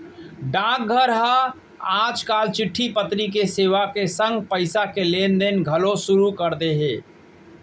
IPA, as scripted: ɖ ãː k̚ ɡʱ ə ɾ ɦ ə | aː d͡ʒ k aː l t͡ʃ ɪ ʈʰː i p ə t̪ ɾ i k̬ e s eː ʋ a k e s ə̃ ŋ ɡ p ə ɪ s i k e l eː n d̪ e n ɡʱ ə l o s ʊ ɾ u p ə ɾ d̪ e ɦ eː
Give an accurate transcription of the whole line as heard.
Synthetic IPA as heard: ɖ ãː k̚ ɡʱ ə ɾ ɦ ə | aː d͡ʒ k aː l t͡ʃ ɪ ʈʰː i p ə t̪ ɾ i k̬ e s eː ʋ a k e s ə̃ ŋ ɡ p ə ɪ s a k e l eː n d̪ e n ɡʱ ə l o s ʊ ɾ u k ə ɾ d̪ e ɦ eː